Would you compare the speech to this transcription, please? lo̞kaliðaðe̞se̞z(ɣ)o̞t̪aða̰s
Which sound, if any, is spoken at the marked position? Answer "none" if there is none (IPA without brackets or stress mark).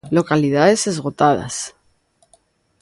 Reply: ɣ